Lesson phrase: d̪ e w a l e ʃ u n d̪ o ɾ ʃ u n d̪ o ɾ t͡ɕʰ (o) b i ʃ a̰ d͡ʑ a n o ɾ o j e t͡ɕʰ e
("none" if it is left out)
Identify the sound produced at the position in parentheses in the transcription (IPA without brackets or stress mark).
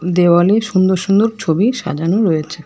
o